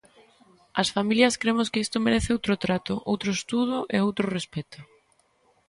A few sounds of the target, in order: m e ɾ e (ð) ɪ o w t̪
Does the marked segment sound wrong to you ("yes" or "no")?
yes